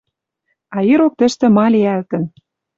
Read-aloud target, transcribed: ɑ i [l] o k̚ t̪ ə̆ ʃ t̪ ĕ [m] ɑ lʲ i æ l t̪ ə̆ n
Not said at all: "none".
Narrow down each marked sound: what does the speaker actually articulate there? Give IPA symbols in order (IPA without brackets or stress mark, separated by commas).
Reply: ɾ, m